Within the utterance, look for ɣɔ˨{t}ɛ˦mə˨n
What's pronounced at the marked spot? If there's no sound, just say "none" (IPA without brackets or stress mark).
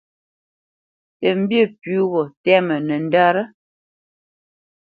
t